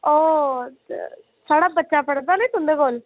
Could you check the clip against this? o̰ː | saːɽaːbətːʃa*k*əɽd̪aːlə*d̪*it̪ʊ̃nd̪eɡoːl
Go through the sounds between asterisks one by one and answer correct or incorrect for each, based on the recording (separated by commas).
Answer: incorrect, incorrect